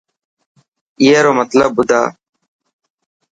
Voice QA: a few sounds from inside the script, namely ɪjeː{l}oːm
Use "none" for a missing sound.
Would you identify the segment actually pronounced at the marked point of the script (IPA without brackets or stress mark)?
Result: ɾ